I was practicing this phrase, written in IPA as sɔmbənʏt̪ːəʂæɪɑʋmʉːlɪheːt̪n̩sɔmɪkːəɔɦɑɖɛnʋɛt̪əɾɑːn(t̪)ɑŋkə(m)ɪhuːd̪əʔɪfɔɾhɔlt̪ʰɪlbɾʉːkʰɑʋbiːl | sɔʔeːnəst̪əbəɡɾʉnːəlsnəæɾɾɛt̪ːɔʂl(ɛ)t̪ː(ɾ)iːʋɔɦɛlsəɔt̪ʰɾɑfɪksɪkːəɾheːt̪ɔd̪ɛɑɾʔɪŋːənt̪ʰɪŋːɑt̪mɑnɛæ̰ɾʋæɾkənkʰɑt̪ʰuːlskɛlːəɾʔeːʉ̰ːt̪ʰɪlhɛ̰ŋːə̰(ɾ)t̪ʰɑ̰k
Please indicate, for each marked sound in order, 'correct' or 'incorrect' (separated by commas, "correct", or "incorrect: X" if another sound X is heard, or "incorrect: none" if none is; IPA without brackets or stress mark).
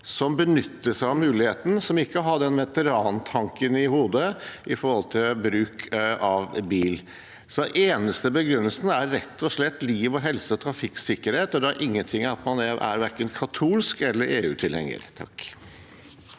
incorrect: t̪ʰ, incorrect: n, correct, incorrect: l, correct